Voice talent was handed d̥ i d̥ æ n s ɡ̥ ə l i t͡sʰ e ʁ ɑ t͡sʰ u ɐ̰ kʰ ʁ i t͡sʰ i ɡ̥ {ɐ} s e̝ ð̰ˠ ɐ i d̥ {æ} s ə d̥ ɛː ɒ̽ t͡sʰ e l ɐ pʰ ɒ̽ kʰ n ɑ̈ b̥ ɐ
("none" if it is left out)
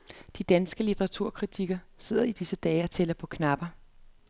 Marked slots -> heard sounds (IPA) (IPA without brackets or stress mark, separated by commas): ɐ, i